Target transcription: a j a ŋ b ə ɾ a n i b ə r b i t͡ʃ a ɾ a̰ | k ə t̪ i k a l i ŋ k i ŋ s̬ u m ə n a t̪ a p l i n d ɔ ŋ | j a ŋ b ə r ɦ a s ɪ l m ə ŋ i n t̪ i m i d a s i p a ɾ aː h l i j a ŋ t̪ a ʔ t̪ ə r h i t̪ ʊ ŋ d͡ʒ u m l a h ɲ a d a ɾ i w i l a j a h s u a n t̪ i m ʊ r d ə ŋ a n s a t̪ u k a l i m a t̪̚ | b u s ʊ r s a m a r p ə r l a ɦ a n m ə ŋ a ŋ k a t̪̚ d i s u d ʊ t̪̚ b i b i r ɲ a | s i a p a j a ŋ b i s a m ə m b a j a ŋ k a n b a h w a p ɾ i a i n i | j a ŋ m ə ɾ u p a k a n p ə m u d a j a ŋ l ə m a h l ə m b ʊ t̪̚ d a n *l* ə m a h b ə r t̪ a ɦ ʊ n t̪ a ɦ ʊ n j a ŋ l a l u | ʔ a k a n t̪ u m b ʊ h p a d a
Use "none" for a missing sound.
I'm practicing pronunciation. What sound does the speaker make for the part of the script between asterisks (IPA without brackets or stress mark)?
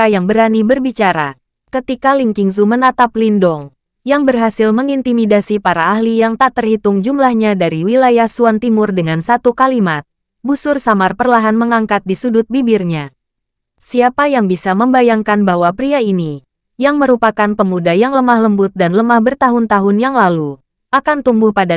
l